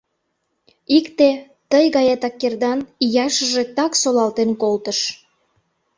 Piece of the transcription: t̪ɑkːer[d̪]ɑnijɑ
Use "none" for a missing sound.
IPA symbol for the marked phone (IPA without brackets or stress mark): d̪